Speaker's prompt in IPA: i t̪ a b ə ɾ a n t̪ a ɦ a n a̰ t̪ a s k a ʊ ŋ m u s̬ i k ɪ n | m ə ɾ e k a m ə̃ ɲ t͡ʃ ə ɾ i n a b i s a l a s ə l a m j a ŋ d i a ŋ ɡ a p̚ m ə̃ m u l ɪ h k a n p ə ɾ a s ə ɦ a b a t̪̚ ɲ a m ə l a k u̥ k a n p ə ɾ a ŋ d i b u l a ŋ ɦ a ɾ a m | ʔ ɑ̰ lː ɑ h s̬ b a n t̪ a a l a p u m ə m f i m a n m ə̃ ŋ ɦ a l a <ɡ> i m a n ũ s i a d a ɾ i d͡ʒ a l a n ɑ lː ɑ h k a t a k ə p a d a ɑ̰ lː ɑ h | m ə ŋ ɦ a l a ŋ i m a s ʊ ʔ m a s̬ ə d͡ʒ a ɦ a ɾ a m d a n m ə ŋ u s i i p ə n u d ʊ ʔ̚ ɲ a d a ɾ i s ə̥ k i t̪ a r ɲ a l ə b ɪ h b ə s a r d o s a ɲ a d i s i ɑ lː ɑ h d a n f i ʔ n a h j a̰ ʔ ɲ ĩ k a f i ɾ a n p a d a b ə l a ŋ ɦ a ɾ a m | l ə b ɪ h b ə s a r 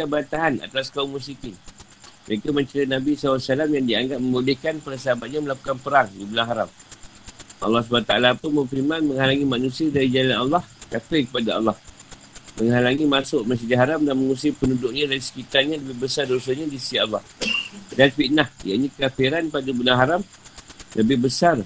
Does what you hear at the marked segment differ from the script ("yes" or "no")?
yes